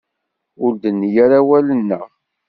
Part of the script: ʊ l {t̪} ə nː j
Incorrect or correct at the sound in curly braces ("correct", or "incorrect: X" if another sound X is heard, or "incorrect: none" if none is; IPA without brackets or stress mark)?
incorrect: d̪